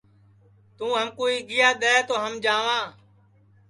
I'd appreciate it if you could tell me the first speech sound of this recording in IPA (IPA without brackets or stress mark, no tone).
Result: t̪